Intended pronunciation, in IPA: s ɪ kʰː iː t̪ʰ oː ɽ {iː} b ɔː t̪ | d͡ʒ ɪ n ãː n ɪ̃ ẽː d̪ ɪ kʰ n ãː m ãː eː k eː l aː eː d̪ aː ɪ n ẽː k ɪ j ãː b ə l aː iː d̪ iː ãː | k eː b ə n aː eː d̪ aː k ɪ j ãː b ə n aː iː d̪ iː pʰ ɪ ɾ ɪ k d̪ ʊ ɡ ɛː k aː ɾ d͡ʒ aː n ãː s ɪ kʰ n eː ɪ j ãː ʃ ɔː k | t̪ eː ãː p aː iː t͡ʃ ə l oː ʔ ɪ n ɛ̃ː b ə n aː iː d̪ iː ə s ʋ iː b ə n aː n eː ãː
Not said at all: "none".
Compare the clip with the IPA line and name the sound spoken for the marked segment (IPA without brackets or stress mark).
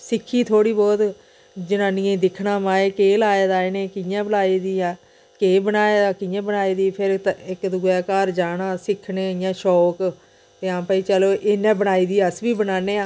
iː